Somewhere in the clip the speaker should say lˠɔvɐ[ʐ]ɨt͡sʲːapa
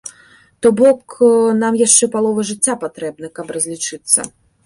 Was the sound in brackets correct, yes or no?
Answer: yes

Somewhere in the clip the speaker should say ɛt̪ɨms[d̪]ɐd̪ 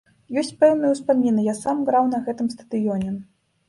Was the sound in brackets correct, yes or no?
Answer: no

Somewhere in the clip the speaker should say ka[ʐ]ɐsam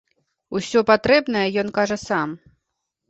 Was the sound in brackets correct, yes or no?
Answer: yes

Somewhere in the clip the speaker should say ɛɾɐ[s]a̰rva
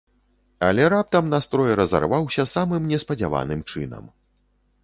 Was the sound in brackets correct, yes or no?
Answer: no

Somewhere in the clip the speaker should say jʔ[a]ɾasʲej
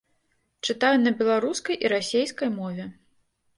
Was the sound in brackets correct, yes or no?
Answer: no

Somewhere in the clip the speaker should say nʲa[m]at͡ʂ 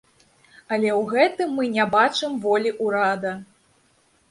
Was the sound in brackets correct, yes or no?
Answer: no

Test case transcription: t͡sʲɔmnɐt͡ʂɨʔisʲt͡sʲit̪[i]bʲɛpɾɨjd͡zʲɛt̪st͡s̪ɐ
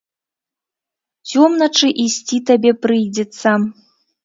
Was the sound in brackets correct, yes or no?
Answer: no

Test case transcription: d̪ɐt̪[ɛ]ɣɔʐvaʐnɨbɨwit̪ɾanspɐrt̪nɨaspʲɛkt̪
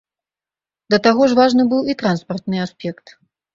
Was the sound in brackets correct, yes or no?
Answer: no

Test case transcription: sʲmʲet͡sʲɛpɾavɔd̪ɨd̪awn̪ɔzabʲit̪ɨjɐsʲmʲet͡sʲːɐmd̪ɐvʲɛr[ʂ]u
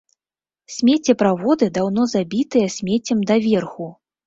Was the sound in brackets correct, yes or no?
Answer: no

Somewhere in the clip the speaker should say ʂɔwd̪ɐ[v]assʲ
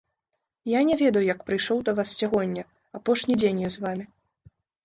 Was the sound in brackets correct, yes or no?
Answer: yes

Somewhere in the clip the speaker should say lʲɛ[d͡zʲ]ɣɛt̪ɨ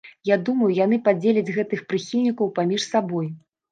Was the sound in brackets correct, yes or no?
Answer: yes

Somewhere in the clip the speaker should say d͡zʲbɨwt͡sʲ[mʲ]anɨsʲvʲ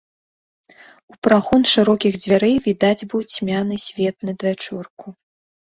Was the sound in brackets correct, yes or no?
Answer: yes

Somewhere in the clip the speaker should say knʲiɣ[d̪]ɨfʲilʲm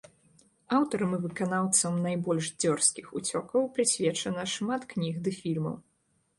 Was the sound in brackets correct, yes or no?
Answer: yes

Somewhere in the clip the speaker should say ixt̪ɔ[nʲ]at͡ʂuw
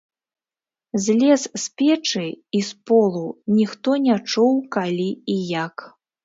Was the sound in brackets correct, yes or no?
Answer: yes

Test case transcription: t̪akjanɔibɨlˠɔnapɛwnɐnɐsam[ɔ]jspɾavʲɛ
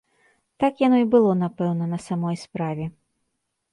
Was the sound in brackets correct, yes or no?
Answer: yes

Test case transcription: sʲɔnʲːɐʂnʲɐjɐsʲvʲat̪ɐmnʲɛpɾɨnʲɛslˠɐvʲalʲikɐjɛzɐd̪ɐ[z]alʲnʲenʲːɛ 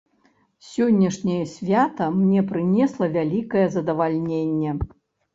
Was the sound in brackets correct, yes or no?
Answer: no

